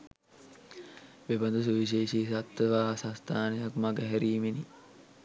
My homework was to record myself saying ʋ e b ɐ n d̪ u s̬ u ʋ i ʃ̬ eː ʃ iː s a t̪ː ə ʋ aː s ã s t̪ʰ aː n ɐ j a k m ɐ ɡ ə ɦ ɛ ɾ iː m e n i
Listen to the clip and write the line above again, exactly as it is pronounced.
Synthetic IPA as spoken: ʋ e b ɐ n d̪ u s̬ u ʋ i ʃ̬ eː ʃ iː s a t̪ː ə ʋ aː s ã s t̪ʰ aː n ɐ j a k m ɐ ɡ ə ɦ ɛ ɾ iː m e n i

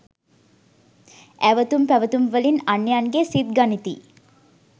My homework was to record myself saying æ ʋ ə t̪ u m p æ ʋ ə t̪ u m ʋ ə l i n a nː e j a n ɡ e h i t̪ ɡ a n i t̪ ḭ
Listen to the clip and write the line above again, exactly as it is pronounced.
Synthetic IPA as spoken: æ ʋ ə t̪ u m p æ ʋ ə t̪ u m ʋ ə l i n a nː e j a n ɡ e s i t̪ ɡ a n i t̪ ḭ

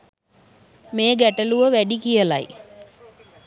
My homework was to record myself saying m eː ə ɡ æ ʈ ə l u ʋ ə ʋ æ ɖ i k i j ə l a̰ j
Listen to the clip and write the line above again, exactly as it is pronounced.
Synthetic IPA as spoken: m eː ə ɡ æ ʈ ə l u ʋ ə ʋ æ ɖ i k i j ə l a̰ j

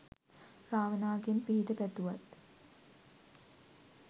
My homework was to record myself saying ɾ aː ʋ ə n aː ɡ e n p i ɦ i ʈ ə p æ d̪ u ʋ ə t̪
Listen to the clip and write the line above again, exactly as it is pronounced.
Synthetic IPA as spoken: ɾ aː ʋ ə n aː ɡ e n p i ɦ i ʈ ə p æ t̪ u ʋ a t̪

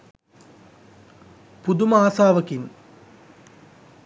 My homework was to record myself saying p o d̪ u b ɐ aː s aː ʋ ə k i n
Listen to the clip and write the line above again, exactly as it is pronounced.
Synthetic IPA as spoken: p u d̪ u m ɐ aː s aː ʋ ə k i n

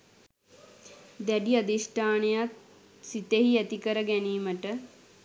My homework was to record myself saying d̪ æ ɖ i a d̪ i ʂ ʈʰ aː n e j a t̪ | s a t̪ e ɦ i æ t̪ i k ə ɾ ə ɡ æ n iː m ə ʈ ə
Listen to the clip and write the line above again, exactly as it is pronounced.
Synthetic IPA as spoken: d̪ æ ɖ i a d̪ i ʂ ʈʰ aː n e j a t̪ | s i t̪ e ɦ i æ t̪ i k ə ɾ ə ɡ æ n iː m ə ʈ ə

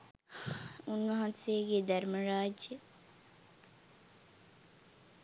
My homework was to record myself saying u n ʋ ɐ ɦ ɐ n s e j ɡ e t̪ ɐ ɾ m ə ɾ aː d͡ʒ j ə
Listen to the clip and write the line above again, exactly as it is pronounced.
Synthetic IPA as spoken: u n ʋ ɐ ɦ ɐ n s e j ɡ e d̪ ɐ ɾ m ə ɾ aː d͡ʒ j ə

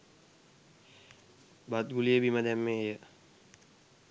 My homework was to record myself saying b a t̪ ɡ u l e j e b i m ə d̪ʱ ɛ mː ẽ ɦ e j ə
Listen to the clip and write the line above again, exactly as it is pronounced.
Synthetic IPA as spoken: b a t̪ ɡ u l i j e b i m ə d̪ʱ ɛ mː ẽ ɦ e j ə

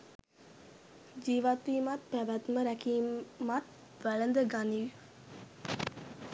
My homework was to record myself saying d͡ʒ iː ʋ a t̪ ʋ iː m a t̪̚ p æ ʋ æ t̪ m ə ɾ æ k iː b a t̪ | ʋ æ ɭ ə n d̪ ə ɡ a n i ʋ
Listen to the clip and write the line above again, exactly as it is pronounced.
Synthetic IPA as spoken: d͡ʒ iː ʋ a t̪ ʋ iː m a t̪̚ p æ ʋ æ t̪ m ə ɾ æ k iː m a t̪ | ʋ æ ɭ ə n d̪ ə ɡ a n i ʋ

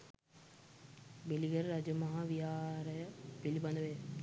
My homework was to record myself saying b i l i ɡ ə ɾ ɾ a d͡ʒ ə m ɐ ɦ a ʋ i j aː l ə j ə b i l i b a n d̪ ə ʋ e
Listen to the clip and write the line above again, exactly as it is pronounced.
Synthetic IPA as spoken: b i l i ɡ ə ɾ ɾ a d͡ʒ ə m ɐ ɦ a ʋ i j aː ɾ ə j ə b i l i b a n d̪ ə ʋ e

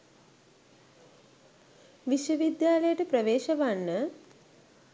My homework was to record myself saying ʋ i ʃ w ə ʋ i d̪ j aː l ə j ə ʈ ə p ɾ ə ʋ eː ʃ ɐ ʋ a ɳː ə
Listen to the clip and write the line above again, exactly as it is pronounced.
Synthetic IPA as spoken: ʋ i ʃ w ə ʋ i d̪ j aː l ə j ə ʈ ə p ɾ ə ʋ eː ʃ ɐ ʋ a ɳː ə

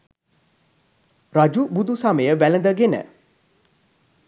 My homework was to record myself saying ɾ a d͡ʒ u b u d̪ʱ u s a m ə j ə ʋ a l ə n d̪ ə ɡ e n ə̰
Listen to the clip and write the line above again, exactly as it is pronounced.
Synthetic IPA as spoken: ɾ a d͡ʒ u b u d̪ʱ u s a m ə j ə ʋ æ l ə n d̪ ə ɡ e n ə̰

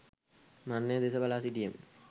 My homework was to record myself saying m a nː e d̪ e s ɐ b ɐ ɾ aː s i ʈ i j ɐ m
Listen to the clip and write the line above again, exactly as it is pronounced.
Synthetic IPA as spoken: m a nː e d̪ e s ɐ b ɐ l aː s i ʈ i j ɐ m

